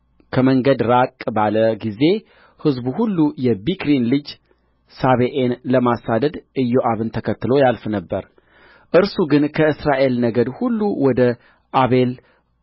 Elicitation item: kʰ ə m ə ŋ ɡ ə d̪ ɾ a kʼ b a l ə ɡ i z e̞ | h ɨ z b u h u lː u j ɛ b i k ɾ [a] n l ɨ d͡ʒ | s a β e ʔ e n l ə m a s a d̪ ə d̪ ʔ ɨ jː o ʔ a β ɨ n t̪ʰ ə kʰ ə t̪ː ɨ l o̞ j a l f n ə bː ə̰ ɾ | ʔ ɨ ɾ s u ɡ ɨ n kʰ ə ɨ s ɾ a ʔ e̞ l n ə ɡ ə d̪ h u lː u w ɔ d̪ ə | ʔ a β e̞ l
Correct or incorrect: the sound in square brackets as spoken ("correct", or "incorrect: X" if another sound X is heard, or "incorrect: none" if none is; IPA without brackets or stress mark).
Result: incorrect: i